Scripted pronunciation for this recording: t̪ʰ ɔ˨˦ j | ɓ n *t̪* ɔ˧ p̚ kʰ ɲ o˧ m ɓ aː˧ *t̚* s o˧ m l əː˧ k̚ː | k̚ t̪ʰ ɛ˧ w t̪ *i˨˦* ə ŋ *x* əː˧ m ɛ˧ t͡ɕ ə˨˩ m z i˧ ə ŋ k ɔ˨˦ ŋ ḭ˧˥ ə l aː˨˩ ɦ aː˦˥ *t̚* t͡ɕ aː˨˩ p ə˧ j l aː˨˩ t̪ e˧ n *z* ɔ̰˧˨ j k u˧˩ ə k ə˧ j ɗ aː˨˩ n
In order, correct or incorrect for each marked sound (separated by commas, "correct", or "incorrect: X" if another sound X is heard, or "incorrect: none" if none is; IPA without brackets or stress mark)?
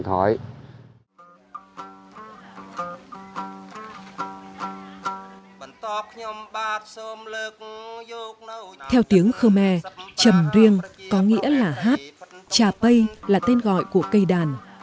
correct, correct, correct, correct, correct, incorrect: ɣ